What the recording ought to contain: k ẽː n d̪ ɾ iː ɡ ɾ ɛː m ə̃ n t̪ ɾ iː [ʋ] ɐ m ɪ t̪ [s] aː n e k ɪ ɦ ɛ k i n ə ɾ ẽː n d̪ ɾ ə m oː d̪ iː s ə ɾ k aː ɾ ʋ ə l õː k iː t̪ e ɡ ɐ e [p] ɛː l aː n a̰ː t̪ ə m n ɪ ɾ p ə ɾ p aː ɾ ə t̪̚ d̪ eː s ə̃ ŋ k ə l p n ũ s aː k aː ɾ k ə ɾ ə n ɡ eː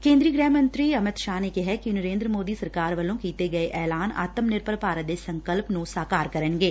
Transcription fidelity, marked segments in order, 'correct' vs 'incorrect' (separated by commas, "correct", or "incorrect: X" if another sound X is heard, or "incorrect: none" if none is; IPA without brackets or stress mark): incorrect: none, incorrect: ʃ, incorrect: ʔ